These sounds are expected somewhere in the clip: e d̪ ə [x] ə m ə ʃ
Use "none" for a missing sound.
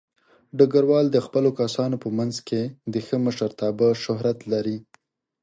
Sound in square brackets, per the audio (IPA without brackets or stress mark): x